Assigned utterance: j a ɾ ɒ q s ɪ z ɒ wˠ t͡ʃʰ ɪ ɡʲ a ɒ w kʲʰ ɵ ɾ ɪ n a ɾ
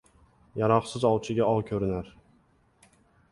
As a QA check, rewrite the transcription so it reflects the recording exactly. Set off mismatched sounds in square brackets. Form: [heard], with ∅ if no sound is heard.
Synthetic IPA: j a ɾ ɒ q s ɪ z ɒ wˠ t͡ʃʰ ɪ ɡʲ a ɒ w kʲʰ ɵ ɾ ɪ n a ɾ